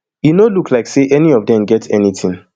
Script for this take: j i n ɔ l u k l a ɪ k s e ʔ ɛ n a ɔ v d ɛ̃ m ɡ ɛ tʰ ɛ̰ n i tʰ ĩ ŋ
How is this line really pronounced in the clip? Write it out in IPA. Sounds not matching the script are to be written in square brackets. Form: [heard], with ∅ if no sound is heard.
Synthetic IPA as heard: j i n [o] l u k l a ɪ k s e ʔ ɛ n [i] ɔ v d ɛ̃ m ɡ ɛ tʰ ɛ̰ n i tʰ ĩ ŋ